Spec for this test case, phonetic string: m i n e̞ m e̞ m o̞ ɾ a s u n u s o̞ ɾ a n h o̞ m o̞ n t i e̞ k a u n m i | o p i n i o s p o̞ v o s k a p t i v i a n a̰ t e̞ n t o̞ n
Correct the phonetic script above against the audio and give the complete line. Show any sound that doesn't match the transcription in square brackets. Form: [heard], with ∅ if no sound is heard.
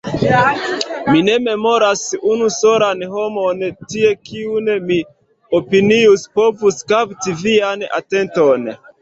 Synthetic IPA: m i n e̞ m e̞ m o̞ ɾ a s u n u s o̞ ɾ a n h o̞ m o̞ n t i e̞ k [i] u n m i | o p i n i [u] s p o̞ v [u] s k a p t i v i a n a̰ t e̞ n t o̞ n

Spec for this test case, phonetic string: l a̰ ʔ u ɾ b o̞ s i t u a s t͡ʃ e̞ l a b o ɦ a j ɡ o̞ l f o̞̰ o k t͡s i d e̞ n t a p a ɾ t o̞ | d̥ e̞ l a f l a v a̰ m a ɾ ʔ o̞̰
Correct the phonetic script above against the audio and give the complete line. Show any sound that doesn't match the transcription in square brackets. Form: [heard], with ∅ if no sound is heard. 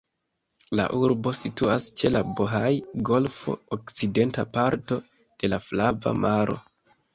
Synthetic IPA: l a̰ ʔ u ɾ b o̞ s i t u a s t͡ʃ e̞ l a b o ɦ a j ɡ o̞ l f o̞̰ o k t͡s i d e̞ n t a p a ɾ t o̞ | d̥ e̞ l a f l a v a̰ m a ɾ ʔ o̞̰

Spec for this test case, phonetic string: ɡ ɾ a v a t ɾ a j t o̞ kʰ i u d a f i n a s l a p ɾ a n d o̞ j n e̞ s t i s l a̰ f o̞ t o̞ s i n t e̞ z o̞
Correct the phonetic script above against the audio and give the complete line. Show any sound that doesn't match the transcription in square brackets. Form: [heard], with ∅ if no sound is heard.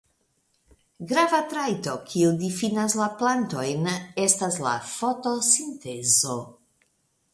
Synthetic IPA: ɡ ɾ a v a t ɾ a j t o̞ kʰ i u d [i] f i n a s l a p [l] a n [t] o̞ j n e̞ s t [a] s l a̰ f o̞ t o̞ s i n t e̞ z o̞

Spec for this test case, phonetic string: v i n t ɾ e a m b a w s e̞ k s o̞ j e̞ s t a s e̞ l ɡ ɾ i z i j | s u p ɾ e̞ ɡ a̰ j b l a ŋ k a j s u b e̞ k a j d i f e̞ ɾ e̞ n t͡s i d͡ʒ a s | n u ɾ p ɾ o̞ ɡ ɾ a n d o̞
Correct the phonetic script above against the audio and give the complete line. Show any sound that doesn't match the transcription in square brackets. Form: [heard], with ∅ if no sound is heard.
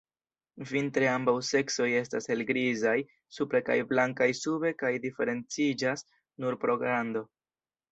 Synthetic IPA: v i n t ɾ e a m b a w s e̞ k s o̞ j e̞ s t a s e̞ l ɡ ɾ i z [a] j | s u p ɾ e̞ [k] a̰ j b l a ŋ k a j s u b e̞ k a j d i f e̞ ɾ e̞ n t͡s i d͡ʒ a s | n u ɾ p ɾ o̞ ɡ ɾ a n d o̞

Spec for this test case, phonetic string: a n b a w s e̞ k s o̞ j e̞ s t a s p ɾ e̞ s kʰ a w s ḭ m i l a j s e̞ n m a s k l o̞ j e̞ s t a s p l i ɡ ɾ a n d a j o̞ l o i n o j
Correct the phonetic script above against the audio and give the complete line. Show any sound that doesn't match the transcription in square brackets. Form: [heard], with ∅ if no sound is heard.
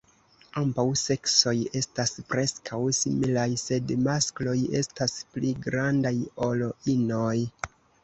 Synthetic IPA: a [m] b a w s e̞ k s o̞ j e̞ s t a s p ɾ e̞ s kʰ a w s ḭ m i l a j s e̞ [d] m a s k l o̞ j e̞ s t a s p l i ɡ ɾ a n d a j o̞ l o i n o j

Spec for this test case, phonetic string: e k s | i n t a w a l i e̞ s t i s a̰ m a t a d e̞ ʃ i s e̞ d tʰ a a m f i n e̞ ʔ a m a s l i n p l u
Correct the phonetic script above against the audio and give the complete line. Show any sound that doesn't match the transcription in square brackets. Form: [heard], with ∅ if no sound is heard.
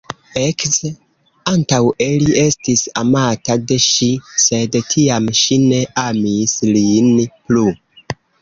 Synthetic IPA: e k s | [a] n t a w [e] l i e̞ s t i s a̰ m a t a d e̞ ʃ i s e̞ d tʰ [i] a m [ʃ] i n e̞ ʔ a m [i] s l i n p l u

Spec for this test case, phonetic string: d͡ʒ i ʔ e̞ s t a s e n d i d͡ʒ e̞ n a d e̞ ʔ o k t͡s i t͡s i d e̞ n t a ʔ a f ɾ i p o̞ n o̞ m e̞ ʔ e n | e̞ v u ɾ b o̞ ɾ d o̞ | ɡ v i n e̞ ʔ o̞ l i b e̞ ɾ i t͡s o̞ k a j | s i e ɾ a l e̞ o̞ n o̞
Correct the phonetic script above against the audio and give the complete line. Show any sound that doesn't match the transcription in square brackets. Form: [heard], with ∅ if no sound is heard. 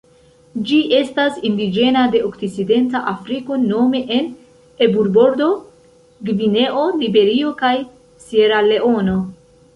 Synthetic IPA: d͡ʒ i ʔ e̞ s t a s [i] n d i d͡ʒ e̞ n a d e̞ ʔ o k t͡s i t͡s i d e̞ n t a ʔ a f ɾ i [k] o̞ n o̞ m e̞ ʔ e n | e̞ [b] u ɾ b o̞ ɾ d o̞ | ɡ v i n e̞ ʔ o̞ l i b e̞ ɾ i [∅] o̞ k a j | s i e ɾ a l e̞ o̞ n o̞

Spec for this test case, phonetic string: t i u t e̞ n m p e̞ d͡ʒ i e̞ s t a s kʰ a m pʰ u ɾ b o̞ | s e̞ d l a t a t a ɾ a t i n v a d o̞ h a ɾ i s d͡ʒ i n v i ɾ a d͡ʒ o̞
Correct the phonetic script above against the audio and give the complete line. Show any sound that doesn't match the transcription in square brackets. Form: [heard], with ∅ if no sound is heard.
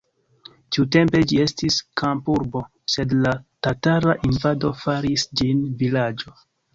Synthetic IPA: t i u t e̞ [∅] m p e̞ d͡ʒ i e̞ s t [i] s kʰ a m [p] u ɾ b o̞ | s e̞ d l a t a t a ɾ a [ʔ] i n v a d o̞ [f] a ɾ i s d͡ʒ i n v i [l] a d͡ʒ o̞

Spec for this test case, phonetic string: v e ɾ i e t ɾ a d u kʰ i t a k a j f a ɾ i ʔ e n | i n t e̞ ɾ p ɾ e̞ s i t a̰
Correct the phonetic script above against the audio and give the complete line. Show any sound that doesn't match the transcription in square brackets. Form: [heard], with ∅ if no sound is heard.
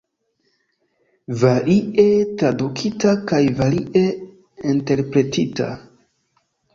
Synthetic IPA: v [a] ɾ i e t ɾ a d u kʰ i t a k a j [v] a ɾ i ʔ e [∅] | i n t e̞ ɾ p ɾ e̞ [t] i t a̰

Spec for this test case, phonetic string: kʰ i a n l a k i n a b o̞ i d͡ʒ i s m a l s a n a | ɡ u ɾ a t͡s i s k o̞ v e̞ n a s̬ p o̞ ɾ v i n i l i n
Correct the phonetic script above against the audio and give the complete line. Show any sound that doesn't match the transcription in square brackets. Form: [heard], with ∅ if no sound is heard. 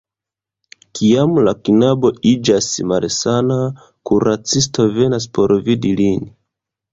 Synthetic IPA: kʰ i a [m] l a k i n a b o̞ i d͡ʒ [a] s m a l s a n a | [k] u ɾ a t͡s i s [t] o̞ v e̞ n a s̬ p o̞ ɾ v i [d] i l i n

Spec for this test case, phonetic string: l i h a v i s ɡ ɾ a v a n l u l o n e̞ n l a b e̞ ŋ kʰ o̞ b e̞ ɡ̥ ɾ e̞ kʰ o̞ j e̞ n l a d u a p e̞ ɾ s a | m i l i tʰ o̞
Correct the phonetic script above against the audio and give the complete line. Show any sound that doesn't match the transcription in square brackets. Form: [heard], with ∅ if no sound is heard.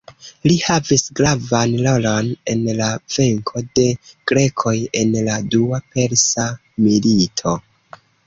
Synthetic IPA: l i h a v i s ɡ ɾ a v a n l [o] l o n e̞ n l a [v] e̞ ŋ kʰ o̞ [d] e̞ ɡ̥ ɾ e̞ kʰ o̞ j e̞ n l a d u a p e̞ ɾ s a | m i l i tʰ o̞

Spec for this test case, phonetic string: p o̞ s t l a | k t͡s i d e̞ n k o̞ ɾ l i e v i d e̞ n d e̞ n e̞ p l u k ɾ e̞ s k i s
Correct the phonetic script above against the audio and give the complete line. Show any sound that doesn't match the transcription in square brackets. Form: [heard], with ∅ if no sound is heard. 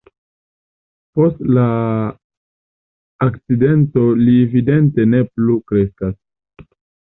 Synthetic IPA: p o̞ s t l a | k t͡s i d e̞ n [t] o̞ [∅] l i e v i d e̞ n [t] e̞ n e̞ p l u k ɾ e̞ s k [a] s

